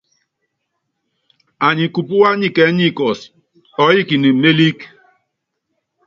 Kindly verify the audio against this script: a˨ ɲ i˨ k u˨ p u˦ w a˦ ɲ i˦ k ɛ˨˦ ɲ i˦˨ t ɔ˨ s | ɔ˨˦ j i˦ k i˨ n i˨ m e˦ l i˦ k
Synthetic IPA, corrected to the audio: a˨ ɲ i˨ k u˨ p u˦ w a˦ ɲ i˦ k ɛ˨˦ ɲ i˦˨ k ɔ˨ s | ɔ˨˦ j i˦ k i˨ n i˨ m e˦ l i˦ k